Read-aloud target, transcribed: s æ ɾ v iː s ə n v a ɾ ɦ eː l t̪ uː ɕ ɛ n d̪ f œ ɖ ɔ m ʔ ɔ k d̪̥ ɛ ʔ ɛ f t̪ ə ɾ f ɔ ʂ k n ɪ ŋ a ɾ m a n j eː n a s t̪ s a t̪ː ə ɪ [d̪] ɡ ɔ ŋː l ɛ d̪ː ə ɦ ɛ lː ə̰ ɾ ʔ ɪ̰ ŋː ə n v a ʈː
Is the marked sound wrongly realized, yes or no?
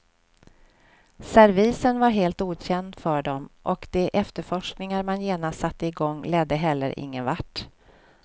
yes